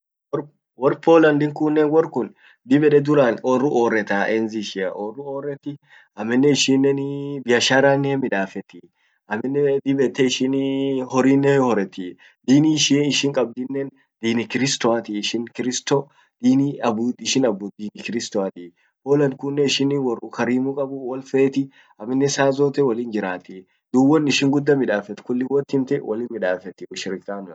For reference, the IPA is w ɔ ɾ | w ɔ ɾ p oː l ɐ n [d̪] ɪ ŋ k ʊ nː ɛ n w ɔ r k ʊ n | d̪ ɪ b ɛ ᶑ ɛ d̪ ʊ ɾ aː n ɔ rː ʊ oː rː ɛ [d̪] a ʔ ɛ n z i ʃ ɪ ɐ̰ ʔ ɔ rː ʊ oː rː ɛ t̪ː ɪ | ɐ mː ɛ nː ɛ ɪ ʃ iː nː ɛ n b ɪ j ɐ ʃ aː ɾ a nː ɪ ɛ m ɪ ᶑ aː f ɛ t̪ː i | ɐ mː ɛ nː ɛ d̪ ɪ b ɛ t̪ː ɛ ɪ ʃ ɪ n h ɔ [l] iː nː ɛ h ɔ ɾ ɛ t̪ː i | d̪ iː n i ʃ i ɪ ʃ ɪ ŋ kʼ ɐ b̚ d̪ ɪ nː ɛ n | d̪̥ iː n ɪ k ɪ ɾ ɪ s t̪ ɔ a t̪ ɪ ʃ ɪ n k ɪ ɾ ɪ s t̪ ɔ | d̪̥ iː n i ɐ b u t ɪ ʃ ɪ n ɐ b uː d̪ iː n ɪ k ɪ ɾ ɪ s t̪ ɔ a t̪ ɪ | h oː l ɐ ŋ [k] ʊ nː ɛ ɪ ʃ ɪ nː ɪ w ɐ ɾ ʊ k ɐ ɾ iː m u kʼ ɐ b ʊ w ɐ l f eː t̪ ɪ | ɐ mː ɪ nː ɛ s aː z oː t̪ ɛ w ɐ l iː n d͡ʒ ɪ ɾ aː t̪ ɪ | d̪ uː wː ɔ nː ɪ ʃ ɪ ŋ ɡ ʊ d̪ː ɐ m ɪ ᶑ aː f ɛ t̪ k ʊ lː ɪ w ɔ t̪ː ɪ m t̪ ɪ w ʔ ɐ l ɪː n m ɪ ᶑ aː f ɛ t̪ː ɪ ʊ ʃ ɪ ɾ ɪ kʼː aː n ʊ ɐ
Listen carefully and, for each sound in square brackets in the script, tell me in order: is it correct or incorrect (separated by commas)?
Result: correct, incorrect, incorrect, correct